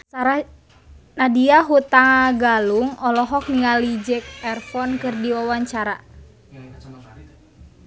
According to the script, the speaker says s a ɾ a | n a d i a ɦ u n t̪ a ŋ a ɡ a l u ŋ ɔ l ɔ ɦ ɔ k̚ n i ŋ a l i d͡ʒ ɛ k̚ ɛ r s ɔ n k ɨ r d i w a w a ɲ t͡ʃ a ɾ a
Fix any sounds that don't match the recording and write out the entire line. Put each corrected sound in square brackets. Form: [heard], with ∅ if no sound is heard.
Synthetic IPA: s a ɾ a | n a d i a ɦ u [∅] t̪ a ŋ a ɡ a l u ŋ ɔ l ɔ ɦ ɔ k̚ n i ŋ a l i d͡ʒ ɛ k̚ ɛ r [f] ɔ n k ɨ r d i w a w a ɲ t͡ʃ a ɾ a